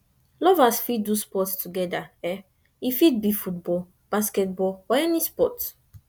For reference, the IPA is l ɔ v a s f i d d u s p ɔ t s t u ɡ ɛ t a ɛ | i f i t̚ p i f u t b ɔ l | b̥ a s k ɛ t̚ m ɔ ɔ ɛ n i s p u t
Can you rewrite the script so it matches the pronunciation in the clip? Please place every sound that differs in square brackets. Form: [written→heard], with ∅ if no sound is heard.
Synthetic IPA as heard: l ɔ v a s f i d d u s p ɔ t s t u ɡ ɛ [t→d] a ɛ | i f i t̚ [p→b] i f u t b ɔ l | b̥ a s k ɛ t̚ [m→b] ɔ ɔ ɛ n i s p [u→ɔ] t